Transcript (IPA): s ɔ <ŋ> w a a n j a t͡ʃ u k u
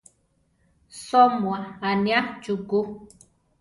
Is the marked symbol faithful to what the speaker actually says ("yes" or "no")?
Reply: no